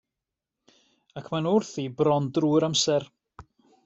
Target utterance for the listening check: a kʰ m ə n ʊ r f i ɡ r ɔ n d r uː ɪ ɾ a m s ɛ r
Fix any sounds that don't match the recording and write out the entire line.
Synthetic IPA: a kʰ m a n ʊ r θ i b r ɔ n d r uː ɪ ɾ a m s ɛ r